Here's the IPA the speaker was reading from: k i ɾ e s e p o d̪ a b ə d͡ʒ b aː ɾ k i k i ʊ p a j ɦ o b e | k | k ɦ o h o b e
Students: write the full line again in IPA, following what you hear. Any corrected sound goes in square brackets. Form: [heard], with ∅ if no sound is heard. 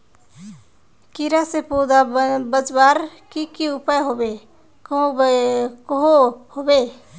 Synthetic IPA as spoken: k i ɾ [a] s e p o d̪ a b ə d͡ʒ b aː ɾ k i k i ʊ p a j ɦ o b e | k | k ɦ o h o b e